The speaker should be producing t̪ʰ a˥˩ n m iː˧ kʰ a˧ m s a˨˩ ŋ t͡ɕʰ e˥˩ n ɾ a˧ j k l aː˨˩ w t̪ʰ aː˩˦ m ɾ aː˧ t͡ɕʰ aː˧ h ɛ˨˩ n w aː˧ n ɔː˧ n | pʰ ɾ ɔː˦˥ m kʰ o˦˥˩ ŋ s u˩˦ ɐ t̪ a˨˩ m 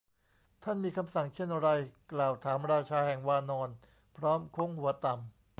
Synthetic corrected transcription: t̪ʰ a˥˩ n m iː˧ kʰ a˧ m s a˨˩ ŋ t͡ɕʰ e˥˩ n ɾ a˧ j k l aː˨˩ w t̪ʰ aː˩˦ m ɾ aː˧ t͡ɕʰ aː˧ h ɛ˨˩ ŋ w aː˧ n ɔː˧ n | pʰ ɾ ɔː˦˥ m kʰ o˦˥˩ ŋ h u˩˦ ɐ t̪ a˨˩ m